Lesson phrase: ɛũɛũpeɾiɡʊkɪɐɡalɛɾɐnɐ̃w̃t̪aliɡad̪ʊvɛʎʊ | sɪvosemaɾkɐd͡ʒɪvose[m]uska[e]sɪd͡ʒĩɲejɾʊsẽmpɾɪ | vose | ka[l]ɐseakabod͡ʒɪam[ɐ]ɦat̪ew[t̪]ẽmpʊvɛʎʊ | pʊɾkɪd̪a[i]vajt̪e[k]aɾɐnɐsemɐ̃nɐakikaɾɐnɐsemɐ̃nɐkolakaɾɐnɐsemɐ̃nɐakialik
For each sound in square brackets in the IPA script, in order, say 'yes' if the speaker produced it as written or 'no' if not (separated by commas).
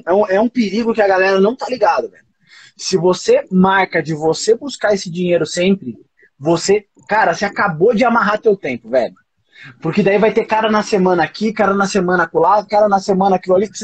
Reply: no, yes, no, no, yes, yes, yes